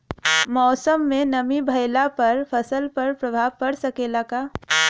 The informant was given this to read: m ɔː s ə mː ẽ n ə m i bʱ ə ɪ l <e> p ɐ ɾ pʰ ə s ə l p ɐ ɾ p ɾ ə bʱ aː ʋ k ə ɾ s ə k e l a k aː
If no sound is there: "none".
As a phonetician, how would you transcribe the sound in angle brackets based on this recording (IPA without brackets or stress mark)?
a